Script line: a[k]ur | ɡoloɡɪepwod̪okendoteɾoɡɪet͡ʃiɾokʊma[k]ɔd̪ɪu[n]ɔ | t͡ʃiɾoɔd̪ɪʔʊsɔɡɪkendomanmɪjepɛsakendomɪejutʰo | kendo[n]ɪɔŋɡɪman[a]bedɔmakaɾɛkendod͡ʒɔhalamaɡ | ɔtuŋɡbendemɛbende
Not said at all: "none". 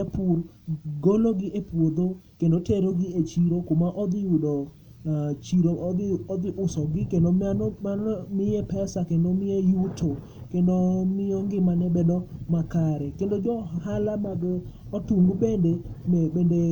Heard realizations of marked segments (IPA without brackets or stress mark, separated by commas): p, ʔ, d, m, ɛ